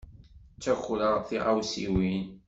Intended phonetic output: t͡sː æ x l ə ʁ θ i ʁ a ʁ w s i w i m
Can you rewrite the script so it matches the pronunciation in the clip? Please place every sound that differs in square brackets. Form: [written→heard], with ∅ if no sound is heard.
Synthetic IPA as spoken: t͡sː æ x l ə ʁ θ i ʁ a [ʁ→∅] w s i w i [m→n]

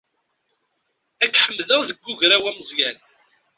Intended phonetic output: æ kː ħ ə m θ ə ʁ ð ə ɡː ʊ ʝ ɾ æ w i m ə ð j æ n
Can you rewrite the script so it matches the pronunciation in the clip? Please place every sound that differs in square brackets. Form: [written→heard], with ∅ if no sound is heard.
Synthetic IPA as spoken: æ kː ħ ə m [θ→ð] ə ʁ ð ə ɡː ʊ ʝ ɾ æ w [i→æ] m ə [ð→z] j æ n

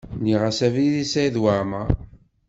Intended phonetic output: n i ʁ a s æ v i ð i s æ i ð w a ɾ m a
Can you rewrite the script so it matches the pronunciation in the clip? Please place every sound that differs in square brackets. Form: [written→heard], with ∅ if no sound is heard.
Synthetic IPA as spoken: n i ʁ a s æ v i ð i s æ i ð w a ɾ m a

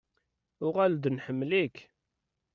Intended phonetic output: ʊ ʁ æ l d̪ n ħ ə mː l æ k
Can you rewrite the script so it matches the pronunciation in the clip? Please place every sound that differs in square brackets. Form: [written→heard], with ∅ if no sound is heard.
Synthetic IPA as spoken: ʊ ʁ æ l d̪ n ħ ə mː l [æ→i] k

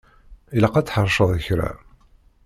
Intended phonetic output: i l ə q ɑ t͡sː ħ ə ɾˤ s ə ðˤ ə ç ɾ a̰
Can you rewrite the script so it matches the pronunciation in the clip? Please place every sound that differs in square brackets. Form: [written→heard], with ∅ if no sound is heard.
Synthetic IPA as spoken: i l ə q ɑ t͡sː ħ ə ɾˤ [s→ʃ] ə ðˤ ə ç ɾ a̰

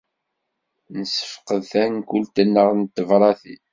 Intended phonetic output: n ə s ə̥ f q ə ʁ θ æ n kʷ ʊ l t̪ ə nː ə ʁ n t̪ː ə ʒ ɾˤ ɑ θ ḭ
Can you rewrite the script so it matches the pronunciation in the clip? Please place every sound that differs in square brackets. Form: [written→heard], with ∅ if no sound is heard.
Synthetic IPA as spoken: n ə s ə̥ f q ə [ʁ→ð] θ æ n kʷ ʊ l t̪ ə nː ə ʁ n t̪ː ə [ʒ→v] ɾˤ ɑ θ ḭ

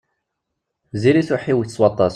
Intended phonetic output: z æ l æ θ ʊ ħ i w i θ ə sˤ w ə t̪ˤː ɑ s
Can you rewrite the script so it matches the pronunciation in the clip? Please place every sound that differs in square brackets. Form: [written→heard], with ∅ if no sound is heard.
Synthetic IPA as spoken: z [æ→i] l [æ→i] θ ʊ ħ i w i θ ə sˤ w [ə→ɑ] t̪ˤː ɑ s

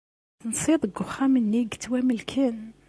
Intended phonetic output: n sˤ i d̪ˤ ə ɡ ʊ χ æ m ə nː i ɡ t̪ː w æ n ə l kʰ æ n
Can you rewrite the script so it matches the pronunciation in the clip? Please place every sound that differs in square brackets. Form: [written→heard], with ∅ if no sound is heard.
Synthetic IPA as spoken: n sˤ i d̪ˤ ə ɡ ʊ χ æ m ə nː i ɡ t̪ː w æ [n→m] ə l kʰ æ n

